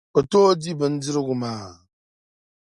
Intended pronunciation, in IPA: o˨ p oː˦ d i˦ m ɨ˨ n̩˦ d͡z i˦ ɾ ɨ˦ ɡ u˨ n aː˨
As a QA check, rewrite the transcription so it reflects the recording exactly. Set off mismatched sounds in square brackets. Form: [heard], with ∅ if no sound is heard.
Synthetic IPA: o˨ [t] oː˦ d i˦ [b] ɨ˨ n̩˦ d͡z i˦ ɾ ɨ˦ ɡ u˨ [m] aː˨